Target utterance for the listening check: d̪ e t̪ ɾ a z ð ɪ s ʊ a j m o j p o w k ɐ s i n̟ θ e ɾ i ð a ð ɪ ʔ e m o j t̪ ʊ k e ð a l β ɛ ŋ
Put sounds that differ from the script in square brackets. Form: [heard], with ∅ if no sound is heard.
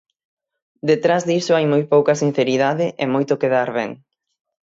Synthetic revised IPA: d̪ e t̪ ɾ a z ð [i] s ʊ a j m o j p o w k ɐ s i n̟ θ e ɾ i ð a ð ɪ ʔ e m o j t̪ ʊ k e ð a [ɾ] β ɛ ŋ